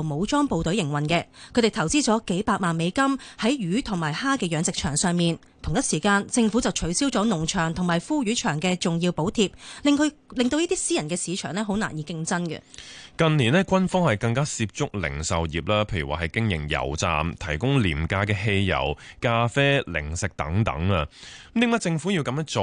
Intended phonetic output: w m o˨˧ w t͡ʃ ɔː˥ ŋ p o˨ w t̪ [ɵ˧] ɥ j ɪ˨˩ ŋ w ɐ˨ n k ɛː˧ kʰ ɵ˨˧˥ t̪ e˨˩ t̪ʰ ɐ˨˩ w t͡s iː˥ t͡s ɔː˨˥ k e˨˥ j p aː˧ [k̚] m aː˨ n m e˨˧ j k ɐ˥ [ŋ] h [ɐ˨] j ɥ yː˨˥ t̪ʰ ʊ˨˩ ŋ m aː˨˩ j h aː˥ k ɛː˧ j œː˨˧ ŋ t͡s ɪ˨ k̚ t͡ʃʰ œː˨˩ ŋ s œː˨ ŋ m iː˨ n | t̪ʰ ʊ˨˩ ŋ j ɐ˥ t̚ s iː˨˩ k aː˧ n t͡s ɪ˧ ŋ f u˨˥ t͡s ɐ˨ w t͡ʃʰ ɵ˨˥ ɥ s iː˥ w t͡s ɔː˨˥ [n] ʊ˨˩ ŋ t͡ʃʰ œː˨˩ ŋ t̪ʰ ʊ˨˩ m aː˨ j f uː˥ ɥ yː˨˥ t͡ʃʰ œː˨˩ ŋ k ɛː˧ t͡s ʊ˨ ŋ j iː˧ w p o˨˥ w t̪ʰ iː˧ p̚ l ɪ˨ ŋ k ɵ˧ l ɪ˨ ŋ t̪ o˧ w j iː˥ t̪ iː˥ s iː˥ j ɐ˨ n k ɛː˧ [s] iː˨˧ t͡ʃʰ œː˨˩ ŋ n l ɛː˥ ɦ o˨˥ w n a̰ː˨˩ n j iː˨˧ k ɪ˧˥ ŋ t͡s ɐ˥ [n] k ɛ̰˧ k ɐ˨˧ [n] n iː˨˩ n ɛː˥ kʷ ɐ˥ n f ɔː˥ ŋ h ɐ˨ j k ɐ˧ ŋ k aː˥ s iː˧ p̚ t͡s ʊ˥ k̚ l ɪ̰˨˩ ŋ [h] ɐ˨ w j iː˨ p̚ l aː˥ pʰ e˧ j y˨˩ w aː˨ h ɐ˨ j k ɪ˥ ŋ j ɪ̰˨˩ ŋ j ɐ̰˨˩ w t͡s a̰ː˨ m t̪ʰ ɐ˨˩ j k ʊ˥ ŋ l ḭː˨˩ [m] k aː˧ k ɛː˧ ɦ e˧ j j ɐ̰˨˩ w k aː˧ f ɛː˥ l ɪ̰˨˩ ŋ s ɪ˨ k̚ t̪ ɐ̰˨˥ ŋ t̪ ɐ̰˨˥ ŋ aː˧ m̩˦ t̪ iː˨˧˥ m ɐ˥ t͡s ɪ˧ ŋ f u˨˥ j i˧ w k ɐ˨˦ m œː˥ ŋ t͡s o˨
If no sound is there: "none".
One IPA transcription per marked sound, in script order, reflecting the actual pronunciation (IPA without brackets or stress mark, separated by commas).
ɵ˨˥, k̚, m, ɐ˨˥, n, s, n, n, s, m